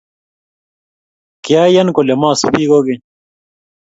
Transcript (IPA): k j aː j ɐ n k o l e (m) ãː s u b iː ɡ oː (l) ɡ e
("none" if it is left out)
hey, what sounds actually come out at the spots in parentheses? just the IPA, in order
m, none

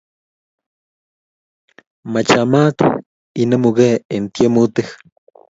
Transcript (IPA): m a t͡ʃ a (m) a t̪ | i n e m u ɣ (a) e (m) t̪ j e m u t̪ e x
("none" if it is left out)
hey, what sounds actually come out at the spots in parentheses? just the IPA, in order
m, e, n

